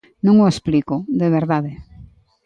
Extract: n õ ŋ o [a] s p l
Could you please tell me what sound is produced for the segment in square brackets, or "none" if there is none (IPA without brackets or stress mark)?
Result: e